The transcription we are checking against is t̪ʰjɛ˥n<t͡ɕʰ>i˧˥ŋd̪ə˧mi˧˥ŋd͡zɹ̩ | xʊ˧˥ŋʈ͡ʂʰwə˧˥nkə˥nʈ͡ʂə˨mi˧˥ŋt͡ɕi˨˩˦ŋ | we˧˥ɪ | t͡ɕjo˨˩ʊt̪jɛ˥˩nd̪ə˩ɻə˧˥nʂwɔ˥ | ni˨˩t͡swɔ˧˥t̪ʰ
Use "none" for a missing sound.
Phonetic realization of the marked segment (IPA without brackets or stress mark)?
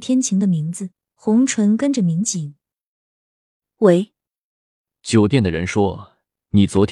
t͡ɕʰ